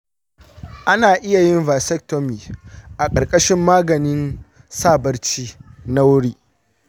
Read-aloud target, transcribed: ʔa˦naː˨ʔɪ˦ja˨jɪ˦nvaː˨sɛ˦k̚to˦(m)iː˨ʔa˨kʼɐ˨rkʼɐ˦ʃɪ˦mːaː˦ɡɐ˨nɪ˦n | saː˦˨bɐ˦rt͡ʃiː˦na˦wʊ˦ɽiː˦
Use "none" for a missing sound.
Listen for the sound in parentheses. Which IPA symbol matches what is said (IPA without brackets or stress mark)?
m